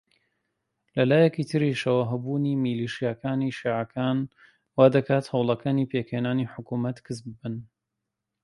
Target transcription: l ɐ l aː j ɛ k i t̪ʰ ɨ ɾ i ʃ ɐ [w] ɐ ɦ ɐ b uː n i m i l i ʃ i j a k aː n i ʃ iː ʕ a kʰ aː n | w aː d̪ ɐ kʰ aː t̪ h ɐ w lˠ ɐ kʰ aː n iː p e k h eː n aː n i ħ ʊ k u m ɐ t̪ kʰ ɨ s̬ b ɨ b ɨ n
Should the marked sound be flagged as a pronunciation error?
no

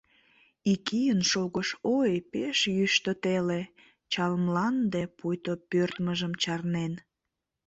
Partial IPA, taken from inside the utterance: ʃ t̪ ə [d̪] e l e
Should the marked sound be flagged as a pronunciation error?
yes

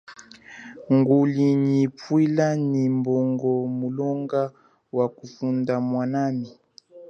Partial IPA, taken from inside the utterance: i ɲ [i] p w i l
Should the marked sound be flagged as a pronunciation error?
no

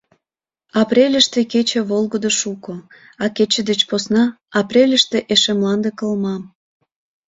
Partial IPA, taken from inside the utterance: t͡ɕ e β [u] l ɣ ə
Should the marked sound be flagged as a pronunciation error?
yes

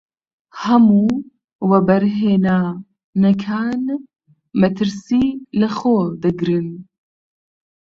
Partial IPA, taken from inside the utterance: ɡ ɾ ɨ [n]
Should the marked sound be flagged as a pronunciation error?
no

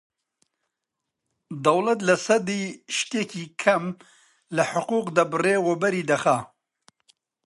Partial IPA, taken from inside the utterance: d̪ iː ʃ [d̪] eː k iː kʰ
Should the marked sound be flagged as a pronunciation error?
yes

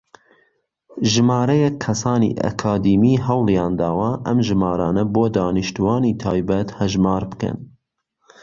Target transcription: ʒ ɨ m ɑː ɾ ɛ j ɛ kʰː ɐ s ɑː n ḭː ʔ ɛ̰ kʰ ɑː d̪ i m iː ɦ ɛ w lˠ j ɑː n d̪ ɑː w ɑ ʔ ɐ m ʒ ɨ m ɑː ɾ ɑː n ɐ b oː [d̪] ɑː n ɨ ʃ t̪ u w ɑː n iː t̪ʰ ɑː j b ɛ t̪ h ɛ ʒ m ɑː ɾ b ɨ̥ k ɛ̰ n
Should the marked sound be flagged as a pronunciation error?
no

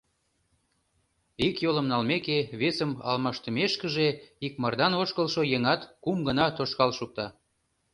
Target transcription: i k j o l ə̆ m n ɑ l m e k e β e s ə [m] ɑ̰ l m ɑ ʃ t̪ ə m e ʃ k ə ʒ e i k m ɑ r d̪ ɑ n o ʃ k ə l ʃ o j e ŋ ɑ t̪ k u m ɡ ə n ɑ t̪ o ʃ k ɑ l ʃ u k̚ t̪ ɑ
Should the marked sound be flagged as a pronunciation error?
no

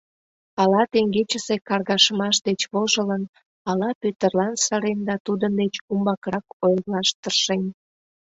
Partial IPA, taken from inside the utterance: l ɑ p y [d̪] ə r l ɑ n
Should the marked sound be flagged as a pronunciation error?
yes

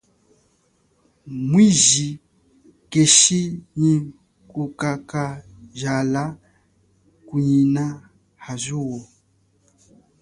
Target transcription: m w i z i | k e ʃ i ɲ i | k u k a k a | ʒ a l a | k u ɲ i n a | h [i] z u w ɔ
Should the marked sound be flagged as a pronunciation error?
yes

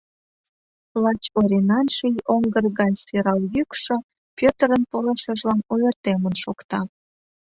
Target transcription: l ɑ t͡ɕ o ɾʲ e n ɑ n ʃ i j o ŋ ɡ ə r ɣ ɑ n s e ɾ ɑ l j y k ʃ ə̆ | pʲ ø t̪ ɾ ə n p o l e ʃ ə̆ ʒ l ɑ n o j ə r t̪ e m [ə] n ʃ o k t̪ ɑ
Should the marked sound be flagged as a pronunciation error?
no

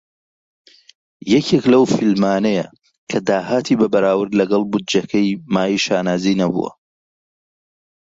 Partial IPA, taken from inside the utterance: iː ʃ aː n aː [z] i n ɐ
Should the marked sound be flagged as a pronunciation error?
no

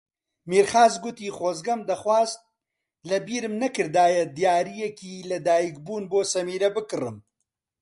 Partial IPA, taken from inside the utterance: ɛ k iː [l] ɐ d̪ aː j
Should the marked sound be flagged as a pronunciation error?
no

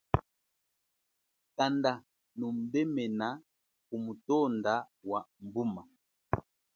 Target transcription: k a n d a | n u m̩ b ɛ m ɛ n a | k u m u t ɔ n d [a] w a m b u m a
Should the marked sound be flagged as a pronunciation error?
no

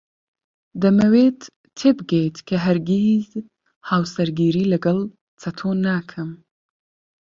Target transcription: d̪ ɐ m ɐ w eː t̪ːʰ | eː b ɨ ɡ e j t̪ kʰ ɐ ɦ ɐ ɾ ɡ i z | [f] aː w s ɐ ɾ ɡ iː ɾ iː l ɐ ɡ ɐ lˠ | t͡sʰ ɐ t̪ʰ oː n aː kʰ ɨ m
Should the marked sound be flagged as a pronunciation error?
yes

